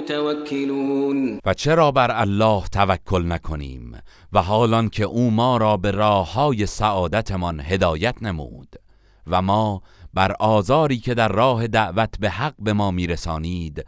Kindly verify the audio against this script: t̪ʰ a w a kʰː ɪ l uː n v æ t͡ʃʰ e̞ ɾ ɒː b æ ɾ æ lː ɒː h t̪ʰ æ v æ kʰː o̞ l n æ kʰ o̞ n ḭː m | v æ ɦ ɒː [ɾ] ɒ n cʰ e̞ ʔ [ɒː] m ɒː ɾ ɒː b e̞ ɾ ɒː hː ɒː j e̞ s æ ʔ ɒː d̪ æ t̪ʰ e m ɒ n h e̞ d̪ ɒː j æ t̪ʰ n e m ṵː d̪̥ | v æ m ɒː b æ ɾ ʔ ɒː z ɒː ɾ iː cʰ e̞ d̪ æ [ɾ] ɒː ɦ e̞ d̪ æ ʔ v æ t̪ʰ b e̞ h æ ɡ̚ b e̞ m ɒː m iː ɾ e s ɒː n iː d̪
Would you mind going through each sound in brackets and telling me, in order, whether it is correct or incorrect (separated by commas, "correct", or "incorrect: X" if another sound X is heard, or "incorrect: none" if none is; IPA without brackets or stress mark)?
incorrect: l, incorrect: uː, incorrect: ɾː